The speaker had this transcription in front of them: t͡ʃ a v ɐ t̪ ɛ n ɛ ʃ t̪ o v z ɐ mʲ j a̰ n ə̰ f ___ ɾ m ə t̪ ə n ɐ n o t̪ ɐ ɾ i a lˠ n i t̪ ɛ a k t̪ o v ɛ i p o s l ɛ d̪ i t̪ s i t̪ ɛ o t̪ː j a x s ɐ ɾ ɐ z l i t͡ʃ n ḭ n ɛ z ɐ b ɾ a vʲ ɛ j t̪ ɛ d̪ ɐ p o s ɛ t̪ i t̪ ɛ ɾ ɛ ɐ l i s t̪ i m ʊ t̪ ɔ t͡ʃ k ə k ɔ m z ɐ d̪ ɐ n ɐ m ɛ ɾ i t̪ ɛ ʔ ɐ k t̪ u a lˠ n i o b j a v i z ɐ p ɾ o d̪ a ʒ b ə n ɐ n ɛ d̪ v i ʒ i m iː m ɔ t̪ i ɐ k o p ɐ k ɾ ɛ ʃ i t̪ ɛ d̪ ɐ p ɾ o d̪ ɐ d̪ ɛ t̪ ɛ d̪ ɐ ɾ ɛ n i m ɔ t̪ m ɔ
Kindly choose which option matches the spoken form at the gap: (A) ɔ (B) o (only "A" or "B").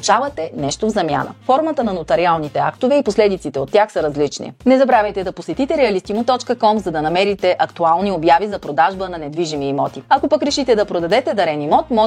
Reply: A